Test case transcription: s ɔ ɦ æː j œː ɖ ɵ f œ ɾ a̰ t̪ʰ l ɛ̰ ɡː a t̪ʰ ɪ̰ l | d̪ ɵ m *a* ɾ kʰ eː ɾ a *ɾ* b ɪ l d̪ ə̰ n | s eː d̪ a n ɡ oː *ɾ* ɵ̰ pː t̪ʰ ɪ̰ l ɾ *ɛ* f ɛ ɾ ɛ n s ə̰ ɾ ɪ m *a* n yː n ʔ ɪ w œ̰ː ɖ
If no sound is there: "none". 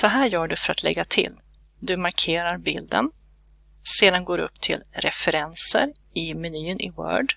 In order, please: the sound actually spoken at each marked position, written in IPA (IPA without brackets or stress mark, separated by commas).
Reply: a, ɾ, ɾ, ɛ, ɛ